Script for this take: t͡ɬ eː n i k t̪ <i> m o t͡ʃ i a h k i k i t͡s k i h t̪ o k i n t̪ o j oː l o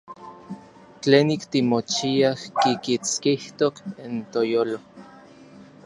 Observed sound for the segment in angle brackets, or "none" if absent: i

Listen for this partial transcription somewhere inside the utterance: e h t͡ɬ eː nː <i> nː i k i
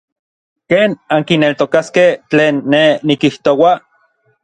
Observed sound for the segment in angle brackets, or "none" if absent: e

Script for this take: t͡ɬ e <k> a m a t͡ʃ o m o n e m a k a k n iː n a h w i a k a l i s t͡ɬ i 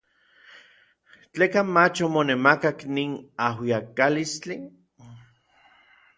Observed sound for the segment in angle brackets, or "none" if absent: k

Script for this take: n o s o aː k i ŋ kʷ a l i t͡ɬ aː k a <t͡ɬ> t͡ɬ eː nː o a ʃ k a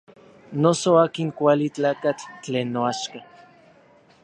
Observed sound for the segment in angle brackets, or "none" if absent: t͡ɬ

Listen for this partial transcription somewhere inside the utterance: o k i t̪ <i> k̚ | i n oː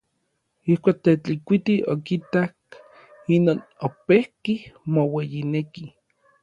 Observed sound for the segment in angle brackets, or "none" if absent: a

